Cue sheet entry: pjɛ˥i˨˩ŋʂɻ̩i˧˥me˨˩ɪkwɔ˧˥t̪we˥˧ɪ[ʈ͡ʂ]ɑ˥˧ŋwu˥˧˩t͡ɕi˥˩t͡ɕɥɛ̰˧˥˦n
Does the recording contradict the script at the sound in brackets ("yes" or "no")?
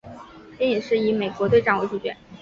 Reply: no